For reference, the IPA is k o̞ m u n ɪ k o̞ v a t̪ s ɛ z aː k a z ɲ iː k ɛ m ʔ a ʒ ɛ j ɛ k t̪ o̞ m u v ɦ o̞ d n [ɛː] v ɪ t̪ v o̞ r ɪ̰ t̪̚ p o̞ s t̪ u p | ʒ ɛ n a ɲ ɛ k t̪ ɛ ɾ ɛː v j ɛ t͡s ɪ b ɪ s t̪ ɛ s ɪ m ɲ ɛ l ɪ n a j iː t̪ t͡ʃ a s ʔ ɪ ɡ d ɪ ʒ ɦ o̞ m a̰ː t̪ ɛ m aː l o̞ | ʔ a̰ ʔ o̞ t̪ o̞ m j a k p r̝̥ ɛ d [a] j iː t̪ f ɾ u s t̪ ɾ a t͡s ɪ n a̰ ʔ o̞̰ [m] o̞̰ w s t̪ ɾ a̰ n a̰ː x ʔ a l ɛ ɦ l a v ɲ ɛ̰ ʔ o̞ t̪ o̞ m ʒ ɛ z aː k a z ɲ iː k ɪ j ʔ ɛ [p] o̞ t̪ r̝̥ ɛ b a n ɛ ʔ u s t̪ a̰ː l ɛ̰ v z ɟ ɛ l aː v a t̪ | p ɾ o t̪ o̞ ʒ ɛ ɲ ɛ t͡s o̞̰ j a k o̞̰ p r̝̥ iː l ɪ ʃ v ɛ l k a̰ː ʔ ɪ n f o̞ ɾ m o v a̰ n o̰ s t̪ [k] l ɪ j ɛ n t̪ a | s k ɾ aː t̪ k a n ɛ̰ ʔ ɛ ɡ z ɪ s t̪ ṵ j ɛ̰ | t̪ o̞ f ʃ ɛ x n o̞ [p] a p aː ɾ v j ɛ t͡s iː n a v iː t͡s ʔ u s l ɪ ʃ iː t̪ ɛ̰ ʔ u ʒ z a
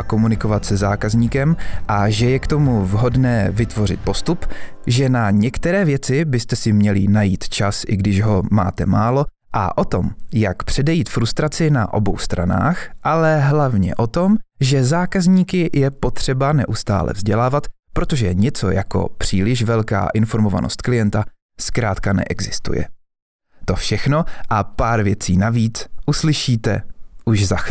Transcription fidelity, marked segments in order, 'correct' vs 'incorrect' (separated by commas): correct, incorrect, incorrect, correct, correct, incorrect